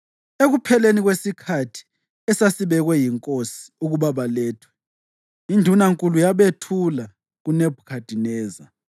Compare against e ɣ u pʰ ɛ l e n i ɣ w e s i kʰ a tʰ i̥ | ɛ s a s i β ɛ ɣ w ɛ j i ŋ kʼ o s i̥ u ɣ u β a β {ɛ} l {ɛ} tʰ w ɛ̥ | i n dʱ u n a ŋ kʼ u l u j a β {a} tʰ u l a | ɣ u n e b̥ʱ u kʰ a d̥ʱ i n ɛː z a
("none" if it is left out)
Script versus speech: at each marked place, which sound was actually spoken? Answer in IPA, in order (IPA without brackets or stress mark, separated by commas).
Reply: a, ɛː, e